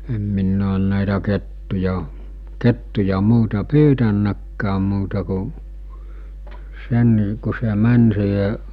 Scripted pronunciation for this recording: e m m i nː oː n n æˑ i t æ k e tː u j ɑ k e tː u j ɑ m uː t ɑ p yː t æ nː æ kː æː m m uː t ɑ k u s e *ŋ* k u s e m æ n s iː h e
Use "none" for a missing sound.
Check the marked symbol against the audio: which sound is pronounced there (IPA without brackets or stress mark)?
n